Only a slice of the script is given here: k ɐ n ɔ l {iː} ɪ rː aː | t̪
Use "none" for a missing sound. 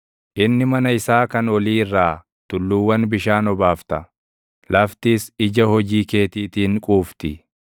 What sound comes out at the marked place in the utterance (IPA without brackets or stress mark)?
iː